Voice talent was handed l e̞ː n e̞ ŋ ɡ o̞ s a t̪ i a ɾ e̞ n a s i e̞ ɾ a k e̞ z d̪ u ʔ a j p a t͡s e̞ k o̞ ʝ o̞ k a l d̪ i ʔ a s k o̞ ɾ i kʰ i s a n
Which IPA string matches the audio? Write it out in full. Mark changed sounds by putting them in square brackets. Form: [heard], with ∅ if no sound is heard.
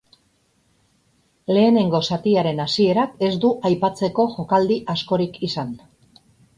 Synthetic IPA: l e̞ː n e̞ ŋ ɡ o̞ s a t̪ i a ɾ e̞ n a s i e̞ ɾ a k e̞ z d̪ u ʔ a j p a t͡s e̞ k o̞ ʝ o̞ k a l d̪ i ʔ a s k o̞ ɾ i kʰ i s a n